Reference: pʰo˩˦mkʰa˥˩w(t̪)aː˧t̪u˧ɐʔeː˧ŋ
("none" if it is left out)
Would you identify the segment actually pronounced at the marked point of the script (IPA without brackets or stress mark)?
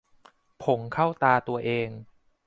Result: t̪